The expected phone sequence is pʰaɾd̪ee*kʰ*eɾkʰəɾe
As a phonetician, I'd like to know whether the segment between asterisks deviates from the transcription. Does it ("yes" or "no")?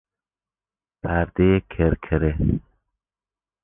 no